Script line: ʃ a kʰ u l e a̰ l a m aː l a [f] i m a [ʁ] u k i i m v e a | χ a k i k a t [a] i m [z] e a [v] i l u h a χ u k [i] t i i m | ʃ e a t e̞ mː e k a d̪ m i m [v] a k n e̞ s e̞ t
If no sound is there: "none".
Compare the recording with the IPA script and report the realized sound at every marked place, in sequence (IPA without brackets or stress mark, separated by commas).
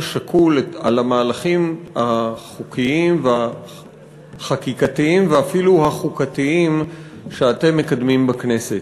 χ, χ, i, v, f, a, b